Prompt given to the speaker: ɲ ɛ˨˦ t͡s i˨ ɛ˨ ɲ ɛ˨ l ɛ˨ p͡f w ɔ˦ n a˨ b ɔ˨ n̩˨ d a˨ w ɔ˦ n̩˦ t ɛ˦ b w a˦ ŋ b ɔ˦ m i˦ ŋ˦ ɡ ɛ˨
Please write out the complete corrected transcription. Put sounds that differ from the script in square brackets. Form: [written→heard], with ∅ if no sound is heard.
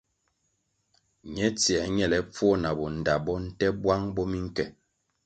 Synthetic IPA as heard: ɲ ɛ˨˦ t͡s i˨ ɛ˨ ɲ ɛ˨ l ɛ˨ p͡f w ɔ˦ n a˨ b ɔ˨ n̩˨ d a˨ [w→b] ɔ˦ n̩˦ t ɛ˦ b w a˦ ŋ b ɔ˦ m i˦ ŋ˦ [ɡ→k] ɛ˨